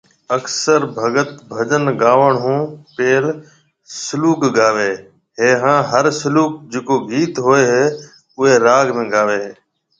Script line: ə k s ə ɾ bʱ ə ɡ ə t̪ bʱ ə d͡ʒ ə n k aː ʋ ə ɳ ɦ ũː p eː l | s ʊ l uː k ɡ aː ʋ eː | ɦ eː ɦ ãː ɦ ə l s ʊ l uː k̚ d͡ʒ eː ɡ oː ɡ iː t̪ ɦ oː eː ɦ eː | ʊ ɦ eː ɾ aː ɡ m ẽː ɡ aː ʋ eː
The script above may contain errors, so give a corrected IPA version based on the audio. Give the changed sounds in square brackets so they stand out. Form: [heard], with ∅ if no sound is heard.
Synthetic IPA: ə k s ə ɾ bʱ ə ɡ ə t̪ bʱ ə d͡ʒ ə n [ɡ] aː ʋ ə ɳ ɦ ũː p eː l | s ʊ l uː k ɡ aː ʋ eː | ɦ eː ɦ ãː ɦ ə [ɾ] s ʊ l uː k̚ d͡ʒ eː [k] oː ɡ iː t̪ ɦ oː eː ɦ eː | ʊ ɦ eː ɾ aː ɡ m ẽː ɡ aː ʋ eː